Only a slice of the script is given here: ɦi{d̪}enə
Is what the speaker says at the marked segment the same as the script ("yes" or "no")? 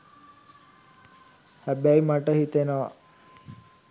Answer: no